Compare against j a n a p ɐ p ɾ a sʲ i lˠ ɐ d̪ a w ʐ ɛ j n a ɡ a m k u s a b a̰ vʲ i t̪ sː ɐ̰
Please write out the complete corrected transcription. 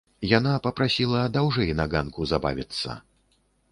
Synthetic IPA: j a n a p ɐ p ɾ a sʲ i lˠ ɐ d̪ a w ʐ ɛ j n a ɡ a n k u z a b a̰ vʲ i t̪ sː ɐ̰